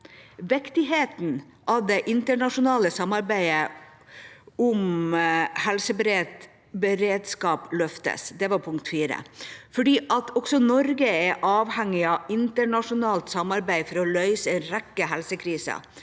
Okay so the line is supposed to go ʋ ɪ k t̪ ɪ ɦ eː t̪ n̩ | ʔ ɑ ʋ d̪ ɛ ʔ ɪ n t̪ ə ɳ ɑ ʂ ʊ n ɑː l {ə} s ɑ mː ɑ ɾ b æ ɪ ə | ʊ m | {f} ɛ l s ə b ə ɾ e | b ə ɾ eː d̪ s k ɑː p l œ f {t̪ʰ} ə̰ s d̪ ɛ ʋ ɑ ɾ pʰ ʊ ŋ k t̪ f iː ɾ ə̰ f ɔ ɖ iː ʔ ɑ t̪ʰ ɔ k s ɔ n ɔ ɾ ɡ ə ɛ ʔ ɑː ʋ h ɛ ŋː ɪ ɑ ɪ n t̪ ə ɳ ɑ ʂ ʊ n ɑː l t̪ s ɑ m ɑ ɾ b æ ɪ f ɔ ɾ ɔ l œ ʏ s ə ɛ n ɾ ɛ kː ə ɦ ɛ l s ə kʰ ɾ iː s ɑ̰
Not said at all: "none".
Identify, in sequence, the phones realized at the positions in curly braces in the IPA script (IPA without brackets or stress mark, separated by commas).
ə, h, t̪